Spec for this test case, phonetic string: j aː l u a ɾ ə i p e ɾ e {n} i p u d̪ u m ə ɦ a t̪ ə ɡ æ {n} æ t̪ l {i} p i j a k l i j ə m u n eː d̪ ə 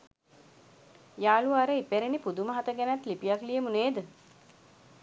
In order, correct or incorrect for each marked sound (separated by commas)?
correct, correct, correct